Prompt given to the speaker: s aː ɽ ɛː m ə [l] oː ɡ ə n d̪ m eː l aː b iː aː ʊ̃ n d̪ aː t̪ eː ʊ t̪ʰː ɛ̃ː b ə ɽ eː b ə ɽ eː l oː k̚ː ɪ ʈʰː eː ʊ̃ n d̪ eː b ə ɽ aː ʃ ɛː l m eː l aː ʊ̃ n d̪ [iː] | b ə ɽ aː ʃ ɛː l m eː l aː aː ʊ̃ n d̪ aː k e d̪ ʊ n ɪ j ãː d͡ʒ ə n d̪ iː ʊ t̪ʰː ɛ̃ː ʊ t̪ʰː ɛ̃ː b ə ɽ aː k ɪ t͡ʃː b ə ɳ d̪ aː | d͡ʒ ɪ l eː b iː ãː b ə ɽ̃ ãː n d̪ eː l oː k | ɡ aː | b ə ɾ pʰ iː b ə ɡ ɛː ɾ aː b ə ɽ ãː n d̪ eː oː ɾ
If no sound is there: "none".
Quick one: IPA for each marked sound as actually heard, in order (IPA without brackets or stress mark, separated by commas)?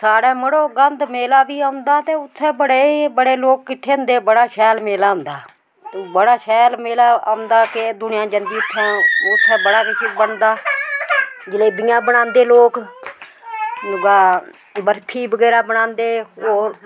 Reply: ɽ, aː